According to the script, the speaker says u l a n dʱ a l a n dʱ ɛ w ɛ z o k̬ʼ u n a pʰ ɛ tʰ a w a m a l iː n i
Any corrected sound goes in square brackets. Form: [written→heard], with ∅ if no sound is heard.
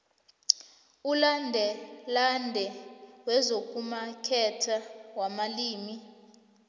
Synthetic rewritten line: u l a n dʱ [a→ɛ] l a n dʱ ɛ w ɛ z o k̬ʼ u [n→m] a [pʰ→kʰ] ɛ tʰ a w a m a l iː [n→m] i